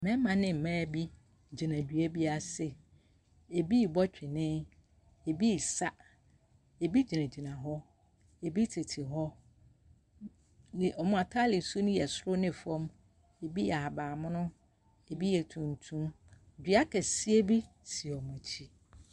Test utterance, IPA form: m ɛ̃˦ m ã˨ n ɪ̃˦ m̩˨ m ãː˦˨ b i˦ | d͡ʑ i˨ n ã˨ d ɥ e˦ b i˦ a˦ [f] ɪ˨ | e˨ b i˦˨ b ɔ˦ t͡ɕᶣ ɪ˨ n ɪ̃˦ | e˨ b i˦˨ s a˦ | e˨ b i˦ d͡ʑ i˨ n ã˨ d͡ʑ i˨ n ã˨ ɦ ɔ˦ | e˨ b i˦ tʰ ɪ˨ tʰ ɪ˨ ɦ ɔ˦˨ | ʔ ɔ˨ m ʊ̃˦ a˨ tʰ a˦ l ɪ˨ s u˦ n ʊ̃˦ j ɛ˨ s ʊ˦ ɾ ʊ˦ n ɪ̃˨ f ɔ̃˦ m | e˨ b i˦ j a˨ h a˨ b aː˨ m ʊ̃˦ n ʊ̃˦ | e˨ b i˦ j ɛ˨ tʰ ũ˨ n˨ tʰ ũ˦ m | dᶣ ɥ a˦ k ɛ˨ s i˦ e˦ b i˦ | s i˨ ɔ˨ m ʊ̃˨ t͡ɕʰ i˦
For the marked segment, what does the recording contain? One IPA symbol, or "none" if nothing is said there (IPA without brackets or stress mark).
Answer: s